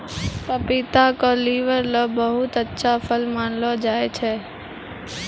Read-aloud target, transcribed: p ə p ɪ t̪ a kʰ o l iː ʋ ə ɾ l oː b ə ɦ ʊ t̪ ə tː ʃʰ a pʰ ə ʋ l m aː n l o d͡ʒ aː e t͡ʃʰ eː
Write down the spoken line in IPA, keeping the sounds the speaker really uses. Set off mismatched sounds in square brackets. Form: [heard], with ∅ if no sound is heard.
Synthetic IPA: p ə p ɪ t̪ a [k] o l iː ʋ ə ɾ l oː b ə ɦ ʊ t̪ ə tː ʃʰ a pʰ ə [∅] l m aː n l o d͡ʒ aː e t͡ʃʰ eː